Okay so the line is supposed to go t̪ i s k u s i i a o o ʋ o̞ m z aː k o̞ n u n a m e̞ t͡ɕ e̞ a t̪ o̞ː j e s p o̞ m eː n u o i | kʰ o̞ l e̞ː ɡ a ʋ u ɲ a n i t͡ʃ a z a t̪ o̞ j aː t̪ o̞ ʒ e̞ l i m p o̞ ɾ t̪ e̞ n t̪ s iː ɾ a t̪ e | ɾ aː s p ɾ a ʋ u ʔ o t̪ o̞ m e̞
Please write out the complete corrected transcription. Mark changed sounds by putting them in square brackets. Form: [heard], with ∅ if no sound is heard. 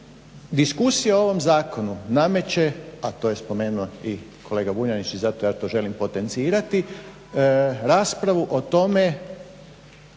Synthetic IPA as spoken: [d̪] i s k u s i [j] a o o ʋ o̞ m z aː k o̞ n u n a m e̞ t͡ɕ e̞ a t̪ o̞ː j e s p o̞ m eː n u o i | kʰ o̞ l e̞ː ɡ a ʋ u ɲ a n i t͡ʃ [i] z a t̪ o̞ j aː t̪ o̞ ʒ e̞ l i m p o̞ [∅] t̪ e̞ n t̪ s iː ɾ a t̪ [i] | ɾ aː s p ɾ a ʋ u ʔ o t̪ o̞ m e̞